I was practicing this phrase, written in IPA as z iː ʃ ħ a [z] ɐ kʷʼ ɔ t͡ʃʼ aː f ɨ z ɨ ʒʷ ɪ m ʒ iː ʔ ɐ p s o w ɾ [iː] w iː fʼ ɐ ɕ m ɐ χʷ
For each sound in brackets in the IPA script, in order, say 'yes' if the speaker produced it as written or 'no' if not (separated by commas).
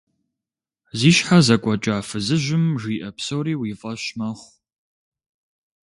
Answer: yes, yes